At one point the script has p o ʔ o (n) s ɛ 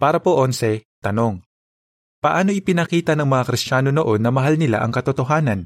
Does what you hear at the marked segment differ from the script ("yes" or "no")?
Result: no